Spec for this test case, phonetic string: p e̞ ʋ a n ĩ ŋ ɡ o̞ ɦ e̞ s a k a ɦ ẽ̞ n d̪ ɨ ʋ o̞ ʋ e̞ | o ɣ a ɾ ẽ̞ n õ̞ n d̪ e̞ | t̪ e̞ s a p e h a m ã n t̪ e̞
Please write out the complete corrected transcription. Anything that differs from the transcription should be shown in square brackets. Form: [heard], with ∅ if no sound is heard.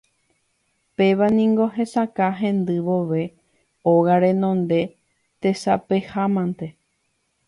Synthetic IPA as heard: p e̞ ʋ a n ĩ ŋ ɡ o̞ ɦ e̞ s a k a ɦ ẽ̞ n d̪ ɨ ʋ o̞ ʋ e̞ | o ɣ a ɾ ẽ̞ n õ̞ n d̪ e̞ | t̪ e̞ s a p e h a m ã n t̪ e̞